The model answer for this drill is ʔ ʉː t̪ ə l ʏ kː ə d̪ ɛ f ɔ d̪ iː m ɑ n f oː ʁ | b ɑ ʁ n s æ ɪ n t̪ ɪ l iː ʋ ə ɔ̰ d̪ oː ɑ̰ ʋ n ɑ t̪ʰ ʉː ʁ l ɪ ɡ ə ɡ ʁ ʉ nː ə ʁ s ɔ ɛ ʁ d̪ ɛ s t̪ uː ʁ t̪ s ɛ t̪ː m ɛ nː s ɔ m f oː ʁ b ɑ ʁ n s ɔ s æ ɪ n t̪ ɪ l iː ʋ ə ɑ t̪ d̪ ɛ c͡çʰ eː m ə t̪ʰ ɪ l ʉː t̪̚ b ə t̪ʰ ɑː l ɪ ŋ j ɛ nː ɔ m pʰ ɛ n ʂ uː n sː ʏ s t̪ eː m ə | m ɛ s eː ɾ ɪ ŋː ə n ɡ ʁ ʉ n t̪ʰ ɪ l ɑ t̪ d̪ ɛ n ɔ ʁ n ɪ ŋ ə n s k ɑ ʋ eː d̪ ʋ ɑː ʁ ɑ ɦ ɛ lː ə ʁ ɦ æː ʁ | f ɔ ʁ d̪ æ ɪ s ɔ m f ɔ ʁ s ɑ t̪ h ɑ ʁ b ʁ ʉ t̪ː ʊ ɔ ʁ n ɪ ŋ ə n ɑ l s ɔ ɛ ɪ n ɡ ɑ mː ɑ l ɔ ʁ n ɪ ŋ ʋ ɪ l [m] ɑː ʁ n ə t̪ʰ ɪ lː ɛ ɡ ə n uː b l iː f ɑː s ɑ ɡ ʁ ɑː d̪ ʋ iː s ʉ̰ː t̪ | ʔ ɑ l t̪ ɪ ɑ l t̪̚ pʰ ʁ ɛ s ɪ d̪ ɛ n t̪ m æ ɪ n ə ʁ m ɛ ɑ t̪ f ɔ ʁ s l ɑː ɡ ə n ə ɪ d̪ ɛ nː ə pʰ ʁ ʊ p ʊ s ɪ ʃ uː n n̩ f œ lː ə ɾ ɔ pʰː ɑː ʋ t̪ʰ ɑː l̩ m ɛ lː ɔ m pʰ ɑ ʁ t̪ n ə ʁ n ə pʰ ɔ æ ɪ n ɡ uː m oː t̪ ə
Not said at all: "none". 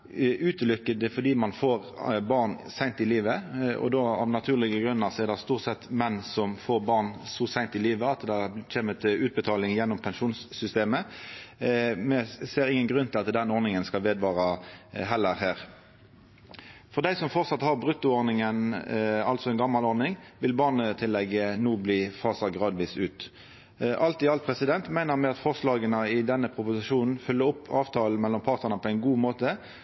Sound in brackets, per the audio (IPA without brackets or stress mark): b